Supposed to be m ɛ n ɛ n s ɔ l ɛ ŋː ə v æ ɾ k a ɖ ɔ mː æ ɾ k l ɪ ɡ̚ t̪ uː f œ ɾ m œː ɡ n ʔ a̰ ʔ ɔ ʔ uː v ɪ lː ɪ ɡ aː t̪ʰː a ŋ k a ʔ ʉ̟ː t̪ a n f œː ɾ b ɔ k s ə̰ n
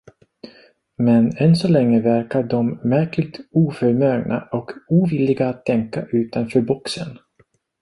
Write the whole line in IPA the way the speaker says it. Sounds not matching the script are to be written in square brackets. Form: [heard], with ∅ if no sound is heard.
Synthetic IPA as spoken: m ɛ n ɛ n s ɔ l ɛ ŋː ə v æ ɾ k a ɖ ɔ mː æ ɾ k l ɪ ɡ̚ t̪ uː f œ ɾ m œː ɡ n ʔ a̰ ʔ ɔ [k] uː v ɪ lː ɪ ɡ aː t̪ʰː [ɛ] ŋ k a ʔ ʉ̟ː t̪ a n f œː ɾ b ɔ k s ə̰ n